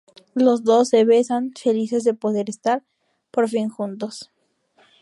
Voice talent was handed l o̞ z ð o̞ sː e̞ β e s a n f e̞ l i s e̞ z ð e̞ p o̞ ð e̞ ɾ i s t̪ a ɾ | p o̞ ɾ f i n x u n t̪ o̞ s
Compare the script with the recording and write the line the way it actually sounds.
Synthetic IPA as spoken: l o̞ z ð o̞ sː e̞ β e s a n f e̞ l i s e̞ z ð e̞ p o̞ ð e̞ ɾ e s t̪ a ɾ | p o̞ ɾ f i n x u n t̪ o̞ s